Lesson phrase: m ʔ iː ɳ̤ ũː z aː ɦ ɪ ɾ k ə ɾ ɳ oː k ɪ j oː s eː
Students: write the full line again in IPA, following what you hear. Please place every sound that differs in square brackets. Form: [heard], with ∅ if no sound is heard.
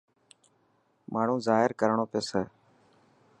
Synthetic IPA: m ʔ [aː] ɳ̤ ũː z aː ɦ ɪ ɾ k ə ɾ ɳ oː [p] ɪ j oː s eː